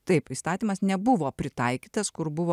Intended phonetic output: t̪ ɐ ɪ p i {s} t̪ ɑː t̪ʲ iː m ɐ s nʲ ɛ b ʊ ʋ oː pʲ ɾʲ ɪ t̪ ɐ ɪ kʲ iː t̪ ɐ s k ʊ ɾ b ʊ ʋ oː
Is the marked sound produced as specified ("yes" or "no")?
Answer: yes